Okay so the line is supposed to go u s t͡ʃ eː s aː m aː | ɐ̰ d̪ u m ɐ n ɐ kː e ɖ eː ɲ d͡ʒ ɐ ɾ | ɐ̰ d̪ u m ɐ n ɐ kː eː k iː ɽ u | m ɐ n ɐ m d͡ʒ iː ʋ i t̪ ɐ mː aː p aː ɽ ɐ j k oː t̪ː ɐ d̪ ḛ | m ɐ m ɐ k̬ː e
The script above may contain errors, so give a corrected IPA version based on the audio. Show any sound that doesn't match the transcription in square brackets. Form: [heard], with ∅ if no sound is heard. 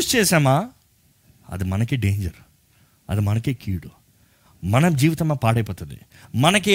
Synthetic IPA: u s t͡ʃ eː s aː m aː | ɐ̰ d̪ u m ɐ n ɐ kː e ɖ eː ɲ d͡ʒ ɐ ɾ | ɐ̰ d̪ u m ɐ n ɐ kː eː k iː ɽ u | m ɐ n ɐ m d͡ʒ iː ʋ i t̪ ɐ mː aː p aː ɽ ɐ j [p] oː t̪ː ɐ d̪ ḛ | m ɐ [n] ɐ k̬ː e